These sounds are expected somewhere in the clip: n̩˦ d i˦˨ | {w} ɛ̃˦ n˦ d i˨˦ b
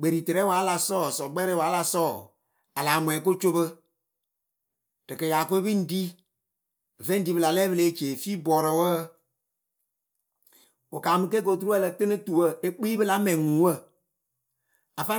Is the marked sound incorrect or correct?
incorrect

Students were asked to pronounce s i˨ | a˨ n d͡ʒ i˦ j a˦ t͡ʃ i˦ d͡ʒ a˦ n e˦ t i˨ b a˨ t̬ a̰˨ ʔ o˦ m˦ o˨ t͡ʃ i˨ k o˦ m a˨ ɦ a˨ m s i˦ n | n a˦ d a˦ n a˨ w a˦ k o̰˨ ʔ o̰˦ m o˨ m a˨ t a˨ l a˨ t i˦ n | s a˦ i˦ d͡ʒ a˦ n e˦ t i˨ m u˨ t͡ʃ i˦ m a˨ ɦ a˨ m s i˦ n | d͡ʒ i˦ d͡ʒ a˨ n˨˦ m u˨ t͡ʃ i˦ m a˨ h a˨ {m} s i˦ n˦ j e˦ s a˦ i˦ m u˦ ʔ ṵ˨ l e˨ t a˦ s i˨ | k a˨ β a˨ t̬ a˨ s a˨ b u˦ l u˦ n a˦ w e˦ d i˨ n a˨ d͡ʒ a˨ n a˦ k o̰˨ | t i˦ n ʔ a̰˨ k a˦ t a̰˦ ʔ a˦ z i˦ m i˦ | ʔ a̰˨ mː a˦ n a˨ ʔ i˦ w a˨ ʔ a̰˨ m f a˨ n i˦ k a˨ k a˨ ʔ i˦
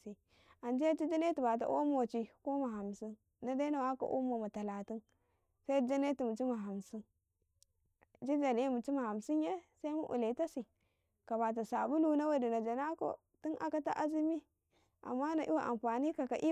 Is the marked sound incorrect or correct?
correct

